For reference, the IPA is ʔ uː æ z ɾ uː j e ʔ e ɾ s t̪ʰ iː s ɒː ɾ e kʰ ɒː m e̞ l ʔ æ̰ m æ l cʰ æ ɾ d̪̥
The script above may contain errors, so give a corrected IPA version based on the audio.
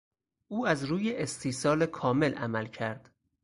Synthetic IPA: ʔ uː æ z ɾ uː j e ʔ e s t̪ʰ iː s ɒː l e kʰ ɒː m e̞ l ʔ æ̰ m æ l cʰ æ ɾ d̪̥